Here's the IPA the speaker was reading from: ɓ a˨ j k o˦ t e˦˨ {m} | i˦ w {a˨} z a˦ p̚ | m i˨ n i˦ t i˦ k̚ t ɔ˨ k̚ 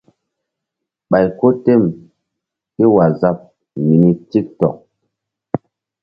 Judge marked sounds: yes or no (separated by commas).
yes, yes